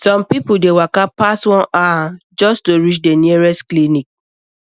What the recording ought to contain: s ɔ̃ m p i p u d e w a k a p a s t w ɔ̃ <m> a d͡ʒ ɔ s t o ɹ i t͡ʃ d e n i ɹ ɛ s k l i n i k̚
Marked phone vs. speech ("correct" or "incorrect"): incorrect